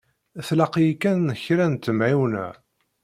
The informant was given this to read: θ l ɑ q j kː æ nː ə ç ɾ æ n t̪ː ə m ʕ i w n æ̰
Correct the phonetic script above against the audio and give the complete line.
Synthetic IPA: θ l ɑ q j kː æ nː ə ç ɾ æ n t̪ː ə m ʕ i w n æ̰